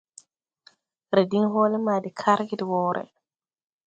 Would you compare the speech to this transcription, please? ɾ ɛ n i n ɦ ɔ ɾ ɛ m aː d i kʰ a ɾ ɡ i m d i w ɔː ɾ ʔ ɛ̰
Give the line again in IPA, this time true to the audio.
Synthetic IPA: ɾ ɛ d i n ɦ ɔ l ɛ m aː d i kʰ a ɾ ɡ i d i w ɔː ɾ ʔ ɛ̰